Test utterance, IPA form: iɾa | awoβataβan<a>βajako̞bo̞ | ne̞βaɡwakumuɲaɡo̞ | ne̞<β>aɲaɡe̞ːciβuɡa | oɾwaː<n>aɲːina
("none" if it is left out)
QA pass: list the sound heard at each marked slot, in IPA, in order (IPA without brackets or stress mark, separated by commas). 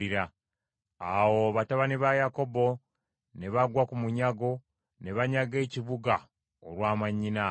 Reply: i, β, m